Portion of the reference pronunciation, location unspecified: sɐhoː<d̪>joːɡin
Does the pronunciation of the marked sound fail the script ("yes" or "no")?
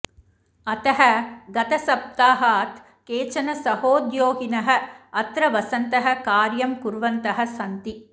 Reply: no